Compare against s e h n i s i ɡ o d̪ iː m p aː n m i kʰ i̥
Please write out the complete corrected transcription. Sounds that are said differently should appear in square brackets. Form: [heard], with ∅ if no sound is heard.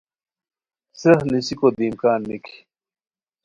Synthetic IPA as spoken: s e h n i s i [k] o d̪ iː m [k] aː n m i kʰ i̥